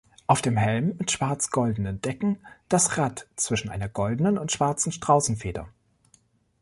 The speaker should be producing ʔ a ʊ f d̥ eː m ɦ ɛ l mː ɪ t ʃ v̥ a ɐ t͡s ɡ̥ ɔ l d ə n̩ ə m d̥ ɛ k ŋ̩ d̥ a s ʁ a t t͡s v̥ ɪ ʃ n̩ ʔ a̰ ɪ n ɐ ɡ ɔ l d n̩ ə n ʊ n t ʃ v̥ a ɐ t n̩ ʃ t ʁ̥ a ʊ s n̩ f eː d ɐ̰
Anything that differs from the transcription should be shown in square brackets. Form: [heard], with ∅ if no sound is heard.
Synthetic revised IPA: ʔ a ʊ f d̥ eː m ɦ ɛ l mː ɪ t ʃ v̥ a ɐ t͡s ɡ̥ ɔ l d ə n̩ ə [n] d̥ ɛ k ŋ̩ d̥ a s ʁ a t t͡s v̥ ɪ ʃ n̩ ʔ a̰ ɪ n ɐ ɡ ɔ l d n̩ ə n ʊ n t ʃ v̥ a ɐ [t͡s] n̩ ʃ t ʁ̥ a ʊ s n̩ f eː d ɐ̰